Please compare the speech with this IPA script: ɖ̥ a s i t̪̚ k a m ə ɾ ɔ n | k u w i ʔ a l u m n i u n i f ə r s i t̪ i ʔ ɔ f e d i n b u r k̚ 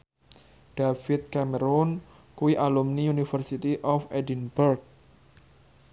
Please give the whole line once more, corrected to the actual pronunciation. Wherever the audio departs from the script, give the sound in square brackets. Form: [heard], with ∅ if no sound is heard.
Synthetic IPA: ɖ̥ a [f] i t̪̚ k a m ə ɾ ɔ n | k u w i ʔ a l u m n i u n i f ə r s i t̪ i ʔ ɔ f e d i n b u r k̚